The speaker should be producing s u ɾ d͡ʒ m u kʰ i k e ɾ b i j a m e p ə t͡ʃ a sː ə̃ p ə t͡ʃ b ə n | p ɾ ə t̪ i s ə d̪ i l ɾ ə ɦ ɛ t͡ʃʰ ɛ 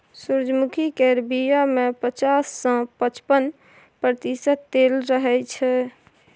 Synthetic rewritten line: s u ɾ d͡ʒ m u kʰ i k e ɾ b i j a m e p ə t͡ʃ a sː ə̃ p ə t͡ʃ p ə n | p ɾ ə t̪ i s ə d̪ e l ɾ ə ɦ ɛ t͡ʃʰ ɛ